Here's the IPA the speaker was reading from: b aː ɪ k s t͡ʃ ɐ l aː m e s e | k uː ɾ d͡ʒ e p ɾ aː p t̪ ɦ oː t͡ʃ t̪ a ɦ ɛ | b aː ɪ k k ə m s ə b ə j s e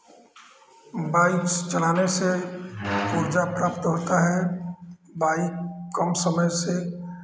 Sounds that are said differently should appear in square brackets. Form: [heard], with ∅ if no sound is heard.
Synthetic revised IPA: b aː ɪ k s t͡ʃ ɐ l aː [n] e s e | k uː ɾ d͡ʒ [a] p ɾ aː p t̪ ɦ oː [∅] t̪ a ɦ ɛ | b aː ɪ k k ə m s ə [m] ə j s e